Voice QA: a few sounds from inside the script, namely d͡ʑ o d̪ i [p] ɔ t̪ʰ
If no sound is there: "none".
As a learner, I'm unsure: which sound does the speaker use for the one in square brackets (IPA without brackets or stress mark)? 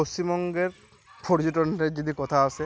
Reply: k